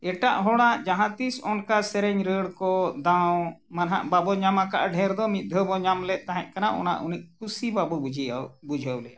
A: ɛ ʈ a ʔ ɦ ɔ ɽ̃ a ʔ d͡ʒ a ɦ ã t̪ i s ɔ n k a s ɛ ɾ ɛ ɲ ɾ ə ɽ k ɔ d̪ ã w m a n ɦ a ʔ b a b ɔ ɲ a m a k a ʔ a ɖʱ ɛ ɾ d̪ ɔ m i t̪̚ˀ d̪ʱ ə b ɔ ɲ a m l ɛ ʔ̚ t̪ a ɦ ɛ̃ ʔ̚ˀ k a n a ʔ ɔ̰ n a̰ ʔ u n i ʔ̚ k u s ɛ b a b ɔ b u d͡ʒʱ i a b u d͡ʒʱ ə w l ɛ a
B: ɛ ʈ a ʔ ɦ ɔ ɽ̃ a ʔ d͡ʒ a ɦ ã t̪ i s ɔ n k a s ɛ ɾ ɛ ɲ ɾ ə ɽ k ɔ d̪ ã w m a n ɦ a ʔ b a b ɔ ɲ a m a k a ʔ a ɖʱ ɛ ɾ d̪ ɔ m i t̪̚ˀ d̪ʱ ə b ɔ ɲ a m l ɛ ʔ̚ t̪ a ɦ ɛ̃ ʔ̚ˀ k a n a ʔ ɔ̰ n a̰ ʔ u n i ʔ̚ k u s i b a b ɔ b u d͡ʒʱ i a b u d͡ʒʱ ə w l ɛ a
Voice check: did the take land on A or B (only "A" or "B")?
B